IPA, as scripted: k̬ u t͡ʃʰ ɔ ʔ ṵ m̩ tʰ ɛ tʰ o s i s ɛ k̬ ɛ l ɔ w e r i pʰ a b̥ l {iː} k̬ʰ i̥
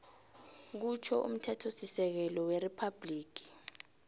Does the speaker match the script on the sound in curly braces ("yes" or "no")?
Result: yes